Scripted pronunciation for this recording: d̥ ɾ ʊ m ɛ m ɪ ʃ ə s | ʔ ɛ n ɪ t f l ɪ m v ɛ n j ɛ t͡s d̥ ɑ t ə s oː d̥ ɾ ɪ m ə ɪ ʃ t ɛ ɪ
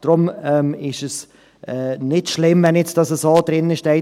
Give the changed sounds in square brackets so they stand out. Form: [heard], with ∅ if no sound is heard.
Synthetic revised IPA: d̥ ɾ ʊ m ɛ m ɪ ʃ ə s | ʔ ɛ n ɪ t [ʃ] l ɪ m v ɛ n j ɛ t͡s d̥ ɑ [s] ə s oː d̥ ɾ ɪ [n] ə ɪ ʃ t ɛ ɪ